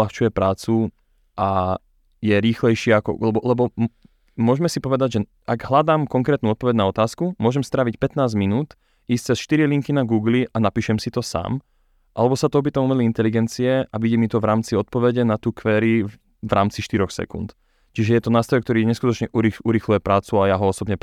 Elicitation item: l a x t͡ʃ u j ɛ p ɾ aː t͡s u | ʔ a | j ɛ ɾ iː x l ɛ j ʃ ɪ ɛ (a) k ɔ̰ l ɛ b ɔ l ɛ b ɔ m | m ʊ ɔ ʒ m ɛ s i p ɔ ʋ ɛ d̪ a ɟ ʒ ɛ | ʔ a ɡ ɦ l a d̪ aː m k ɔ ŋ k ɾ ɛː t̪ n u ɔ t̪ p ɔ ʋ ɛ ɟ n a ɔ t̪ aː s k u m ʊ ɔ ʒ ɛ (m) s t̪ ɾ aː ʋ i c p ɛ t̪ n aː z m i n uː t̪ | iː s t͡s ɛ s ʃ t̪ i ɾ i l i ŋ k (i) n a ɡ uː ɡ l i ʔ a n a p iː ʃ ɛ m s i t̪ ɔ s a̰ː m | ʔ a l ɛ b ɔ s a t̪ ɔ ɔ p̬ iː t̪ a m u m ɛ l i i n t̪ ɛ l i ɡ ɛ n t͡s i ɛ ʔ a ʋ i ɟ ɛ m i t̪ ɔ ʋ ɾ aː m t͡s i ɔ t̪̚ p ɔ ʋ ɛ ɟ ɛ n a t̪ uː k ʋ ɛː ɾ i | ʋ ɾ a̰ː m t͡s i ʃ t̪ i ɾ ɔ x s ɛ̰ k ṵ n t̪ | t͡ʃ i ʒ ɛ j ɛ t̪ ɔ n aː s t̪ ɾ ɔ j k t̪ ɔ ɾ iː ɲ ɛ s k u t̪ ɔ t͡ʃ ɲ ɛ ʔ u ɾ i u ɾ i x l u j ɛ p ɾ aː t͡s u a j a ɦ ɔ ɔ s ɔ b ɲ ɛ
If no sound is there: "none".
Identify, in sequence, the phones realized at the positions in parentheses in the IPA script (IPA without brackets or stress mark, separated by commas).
a, m, i